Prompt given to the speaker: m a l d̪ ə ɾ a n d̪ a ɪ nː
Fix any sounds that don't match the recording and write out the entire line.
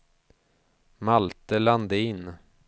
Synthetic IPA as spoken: m a l t̪ ə l a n d̪ ə ɪ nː